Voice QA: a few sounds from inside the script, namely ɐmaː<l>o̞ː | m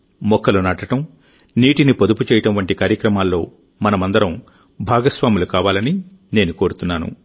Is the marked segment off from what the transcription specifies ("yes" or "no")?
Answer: yes